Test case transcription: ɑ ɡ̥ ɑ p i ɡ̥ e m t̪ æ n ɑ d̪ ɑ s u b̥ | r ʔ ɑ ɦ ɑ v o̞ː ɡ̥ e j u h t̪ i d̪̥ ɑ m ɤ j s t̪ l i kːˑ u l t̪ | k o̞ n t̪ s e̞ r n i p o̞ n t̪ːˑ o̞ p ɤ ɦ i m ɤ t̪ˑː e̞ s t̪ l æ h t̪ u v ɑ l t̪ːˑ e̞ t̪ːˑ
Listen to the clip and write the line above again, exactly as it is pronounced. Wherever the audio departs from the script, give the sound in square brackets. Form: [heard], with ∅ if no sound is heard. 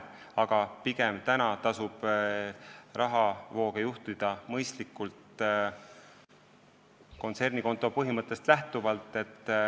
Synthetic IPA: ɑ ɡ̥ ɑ p i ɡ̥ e m t̪ æ n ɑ [t̪] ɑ s u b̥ | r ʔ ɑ ɦ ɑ v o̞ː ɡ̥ e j u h t̪ i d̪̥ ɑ m ɤ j s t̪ l i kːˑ u l t̪ | k o̞ n t̪ s e̞ r n i [k] o̞ n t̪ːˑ o̞ p ɤ ɦ i m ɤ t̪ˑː e̞ s t̪ l æ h t̪ u v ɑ l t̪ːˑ e̞ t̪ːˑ